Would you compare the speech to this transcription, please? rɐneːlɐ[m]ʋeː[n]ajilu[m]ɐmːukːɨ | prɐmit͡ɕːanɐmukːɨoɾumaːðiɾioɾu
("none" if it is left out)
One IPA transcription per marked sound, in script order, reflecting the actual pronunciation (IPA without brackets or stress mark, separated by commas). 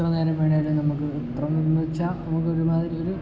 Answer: m, ɳ, n